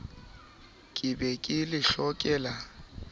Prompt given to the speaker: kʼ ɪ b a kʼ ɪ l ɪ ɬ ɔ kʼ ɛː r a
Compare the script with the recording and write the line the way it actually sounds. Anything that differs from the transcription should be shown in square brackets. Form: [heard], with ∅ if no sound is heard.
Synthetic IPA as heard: kʼ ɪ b [ɛ] kʼ ɪ l ɪ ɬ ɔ kʼ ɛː [l] a